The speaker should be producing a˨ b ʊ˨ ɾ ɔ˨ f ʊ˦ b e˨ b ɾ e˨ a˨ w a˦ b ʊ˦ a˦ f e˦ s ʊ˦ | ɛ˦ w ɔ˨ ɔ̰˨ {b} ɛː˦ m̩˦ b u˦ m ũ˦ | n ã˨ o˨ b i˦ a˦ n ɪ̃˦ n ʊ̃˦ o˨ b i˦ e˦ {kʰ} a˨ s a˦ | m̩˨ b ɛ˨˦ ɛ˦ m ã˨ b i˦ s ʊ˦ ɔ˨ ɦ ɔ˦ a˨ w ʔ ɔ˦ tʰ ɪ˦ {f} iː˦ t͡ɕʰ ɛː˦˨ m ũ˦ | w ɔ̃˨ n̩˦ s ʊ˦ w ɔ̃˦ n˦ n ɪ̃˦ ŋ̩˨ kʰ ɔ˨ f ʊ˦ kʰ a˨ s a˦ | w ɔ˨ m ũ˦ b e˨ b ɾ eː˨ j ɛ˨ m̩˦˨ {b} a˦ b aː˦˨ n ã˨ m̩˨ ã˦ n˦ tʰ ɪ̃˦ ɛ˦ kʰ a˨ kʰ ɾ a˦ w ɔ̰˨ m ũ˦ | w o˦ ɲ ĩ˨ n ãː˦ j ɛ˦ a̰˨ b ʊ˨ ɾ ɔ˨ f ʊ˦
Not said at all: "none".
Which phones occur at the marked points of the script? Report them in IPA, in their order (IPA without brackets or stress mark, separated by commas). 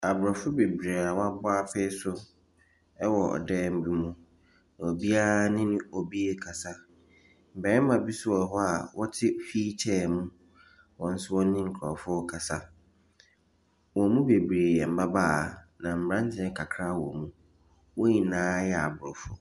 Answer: d, kʰ, f, b